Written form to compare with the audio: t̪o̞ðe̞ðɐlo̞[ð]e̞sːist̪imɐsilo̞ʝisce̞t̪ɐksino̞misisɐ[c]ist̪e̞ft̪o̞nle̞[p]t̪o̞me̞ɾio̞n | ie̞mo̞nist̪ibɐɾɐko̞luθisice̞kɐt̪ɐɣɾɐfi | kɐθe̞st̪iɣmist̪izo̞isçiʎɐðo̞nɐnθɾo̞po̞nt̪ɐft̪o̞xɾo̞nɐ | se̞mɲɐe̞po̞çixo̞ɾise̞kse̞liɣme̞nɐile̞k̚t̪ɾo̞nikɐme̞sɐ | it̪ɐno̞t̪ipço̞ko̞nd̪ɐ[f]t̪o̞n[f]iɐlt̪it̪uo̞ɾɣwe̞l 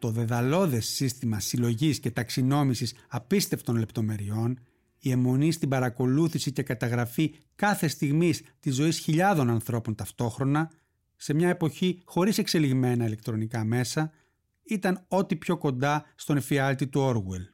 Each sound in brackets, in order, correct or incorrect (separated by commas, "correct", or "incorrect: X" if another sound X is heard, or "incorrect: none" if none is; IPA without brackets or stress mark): correct, incorrect: p, correct, incorrect: s, correct